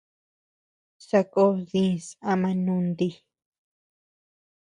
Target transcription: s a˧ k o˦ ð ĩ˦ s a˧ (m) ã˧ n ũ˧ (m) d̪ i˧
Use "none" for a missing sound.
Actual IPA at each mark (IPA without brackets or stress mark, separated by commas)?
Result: m, n